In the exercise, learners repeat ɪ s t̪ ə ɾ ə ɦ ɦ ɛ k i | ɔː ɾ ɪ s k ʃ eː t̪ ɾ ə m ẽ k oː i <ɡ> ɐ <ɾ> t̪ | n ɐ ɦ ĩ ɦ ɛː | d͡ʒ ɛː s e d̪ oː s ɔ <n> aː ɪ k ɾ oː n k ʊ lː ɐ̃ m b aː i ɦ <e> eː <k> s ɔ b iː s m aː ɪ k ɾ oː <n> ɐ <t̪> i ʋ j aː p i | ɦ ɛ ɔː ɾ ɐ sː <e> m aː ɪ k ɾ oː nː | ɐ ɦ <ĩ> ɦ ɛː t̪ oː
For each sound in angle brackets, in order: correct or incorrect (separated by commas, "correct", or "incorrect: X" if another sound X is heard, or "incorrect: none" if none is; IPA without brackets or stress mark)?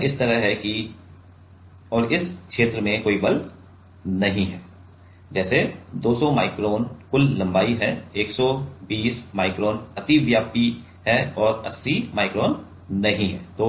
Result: incorrect: b, incorrect: l, incorrect: m, incorrect: ɛ, correct, correct, correct, incorrect: i, correct